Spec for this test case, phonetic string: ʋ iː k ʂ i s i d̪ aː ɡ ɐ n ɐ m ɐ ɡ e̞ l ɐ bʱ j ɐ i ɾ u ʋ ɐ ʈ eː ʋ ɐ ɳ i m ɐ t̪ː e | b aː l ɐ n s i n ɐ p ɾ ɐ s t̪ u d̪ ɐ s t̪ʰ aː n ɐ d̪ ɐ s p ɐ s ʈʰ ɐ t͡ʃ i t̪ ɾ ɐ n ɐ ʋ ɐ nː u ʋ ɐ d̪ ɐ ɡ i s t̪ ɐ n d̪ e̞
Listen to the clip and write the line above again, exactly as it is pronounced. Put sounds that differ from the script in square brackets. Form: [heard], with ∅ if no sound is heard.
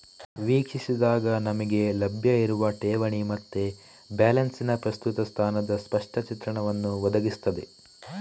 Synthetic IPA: ʋ iː k ʂ i s i d̪ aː ɡ ɐ n ɐ m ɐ ɡ e̞ l ɐ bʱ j ɐ i ɾ u ʋ ɐ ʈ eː ʋ ɐ ɳ i m ɐ t̪ː e | b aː l ɐ n s i n ɐ p ɾ ɐ s t̪ u [t̪] ɐ s t̪ʰ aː n ɐ d̪ ɐ s p ɐ [ʂ] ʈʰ ɐ t͡ʃ i t̪ ɾ ɐ [ɳ] ɐ ʋ ɐ nː u ʋ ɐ d̪ ɐ ɡ i s t̪ ɐ [∅] d̪ e̞